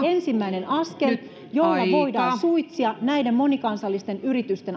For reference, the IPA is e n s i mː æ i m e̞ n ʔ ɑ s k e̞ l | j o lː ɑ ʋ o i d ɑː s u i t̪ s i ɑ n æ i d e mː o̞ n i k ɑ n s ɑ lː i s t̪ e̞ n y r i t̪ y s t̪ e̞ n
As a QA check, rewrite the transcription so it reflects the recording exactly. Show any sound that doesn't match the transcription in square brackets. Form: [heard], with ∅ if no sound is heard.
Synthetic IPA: e n s i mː æ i [n] e̞ n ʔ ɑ s k e̞ l | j o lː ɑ ʋ o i d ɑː s u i t̪ s i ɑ n æ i d e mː o̞ n i k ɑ n s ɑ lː i s t̪ e̞ n y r i t̪ y s t̪ e̞ n